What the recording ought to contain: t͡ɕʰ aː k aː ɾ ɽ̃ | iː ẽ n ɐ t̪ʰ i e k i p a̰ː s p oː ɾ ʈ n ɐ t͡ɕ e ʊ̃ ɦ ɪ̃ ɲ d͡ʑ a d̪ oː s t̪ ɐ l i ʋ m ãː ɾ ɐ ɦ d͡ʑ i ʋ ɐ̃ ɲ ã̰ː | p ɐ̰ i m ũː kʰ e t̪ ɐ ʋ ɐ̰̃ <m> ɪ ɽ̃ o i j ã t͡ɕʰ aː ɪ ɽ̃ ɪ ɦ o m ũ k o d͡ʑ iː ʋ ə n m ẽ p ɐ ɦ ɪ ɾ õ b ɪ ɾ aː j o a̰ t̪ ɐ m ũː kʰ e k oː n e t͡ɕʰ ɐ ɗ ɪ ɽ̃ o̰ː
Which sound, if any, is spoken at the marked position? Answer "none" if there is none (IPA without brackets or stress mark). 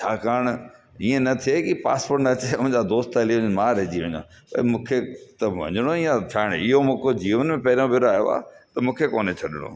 ɲ